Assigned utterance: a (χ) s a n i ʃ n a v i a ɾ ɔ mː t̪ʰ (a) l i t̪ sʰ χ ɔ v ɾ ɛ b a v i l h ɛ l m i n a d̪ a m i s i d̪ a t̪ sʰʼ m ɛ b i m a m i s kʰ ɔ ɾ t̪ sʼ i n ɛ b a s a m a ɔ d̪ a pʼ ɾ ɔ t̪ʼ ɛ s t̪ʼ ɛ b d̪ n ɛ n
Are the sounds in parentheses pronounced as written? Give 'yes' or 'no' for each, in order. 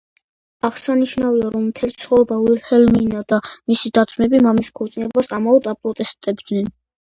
no, no

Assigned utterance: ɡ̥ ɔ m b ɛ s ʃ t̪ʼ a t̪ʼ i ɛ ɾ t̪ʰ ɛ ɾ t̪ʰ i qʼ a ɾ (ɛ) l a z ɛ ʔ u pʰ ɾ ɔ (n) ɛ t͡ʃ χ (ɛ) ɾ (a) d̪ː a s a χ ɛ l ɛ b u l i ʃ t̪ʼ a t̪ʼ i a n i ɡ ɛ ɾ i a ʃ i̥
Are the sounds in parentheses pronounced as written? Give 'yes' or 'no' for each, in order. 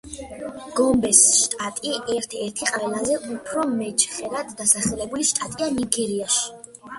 yes, no, yes, yes

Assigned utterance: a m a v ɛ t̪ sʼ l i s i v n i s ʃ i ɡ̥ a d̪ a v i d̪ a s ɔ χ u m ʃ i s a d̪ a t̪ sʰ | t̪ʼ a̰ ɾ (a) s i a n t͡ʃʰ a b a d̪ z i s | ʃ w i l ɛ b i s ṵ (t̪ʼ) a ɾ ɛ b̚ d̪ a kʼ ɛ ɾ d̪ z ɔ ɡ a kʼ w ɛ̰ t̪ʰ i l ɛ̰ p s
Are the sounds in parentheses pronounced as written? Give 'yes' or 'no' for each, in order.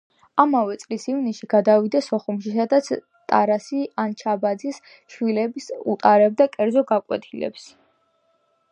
yes, yes

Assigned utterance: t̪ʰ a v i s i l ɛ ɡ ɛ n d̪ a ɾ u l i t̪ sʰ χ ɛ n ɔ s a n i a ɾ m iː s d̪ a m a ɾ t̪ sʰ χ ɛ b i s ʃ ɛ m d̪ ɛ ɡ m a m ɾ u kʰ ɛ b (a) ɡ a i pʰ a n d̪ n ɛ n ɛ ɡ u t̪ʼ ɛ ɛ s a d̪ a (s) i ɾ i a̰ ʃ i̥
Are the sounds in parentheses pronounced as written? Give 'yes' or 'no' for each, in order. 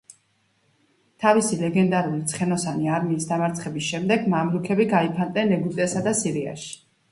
no, yes

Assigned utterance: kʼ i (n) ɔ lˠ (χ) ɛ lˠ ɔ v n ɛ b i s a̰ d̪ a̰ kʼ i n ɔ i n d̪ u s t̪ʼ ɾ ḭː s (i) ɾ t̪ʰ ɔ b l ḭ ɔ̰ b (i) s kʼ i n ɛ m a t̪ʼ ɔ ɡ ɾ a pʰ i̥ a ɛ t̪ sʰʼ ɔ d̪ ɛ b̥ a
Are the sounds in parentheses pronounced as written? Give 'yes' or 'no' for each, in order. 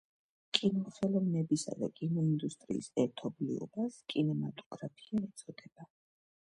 yes, yes, no, no

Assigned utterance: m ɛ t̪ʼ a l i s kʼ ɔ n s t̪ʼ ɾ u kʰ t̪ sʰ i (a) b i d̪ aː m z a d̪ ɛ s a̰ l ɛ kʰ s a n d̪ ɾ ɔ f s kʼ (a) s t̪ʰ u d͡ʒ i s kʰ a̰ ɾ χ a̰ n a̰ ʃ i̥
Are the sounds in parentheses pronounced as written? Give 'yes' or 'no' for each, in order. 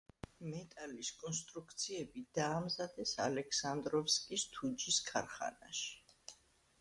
no, no

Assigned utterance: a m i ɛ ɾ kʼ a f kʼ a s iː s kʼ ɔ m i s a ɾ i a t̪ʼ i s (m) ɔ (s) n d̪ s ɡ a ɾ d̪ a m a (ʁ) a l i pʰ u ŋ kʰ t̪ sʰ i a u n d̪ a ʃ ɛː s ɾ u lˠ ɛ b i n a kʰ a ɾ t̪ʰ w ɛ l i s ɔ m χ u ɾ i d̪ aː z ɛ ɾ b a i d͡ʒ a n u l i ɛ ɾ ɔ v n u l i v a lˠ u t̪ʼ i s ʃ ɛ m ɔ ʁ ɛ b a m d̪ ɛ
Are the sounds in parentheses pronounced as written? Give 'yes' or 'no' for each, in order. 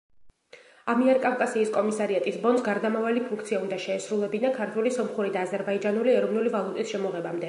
no, no, no

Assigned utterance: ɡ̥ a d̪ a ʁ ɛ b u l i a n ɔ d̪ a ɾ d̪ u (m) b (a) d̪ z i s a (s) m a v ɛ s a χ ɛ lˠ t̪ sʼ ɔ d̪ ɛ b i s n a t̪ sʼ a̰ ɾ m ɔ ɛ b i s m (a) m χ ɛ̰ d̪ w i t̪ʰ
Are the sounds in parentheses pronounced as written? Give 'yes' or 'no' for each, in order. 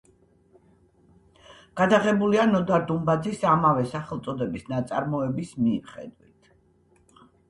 yes, yes, no, no

